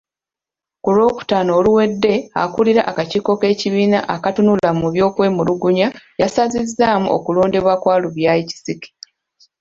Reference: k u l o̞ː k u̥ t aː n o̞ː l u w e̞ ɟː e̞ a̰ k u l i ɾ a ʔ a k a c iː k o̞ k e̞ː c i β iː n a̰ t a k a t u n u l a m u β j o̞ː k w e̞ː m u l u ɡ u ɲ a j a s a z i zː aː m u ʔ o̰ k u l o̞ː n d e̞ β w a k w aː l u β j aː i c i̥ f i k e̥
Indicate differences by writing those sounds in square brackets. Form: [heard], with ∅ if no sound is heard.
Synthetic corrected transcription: k u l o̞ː k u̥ t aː n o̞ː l u w e̞ [dː] e̞ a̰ k u l i ɾ a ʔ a k a c iː k o̞ k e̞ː c i β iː n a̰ [ʔ] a k a t u n u l a m u β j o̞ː k w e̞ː m u l u ɡ u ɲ a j a s a z i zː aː m u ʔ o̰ k u l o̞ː n d e̞ β w a k w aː l u β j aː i c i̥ [s] i k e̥